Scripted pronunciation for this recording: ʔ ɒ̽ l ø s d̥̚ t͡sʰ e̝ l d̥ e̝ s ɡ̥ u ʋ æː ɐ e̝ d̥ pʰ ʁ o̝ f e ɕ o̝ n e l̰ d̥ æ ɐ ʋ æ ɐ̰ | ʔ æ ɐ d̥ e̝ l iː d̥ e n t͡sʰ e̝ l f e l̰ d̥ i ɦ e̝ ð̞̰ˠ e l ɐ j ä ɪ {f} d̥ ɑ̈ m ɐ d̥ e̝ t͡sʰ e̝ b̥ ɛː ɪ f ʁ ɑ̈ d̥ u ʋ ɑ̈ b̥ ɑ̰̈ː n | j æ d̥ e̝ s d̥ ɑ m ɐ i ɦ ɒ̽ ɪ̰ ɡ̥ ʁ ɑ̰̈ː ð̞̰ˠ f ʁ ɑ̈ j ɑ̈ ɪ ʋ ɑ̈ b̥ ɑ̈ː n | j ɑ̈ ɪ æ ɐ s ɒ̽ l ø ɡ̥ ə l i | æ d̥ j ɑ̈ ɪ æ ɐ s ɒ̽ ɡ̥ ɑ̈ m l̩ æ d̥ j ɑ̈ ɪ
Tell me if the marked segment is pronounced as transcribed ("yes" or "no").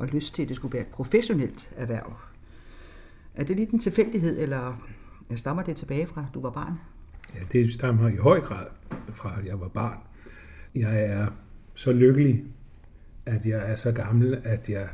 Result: no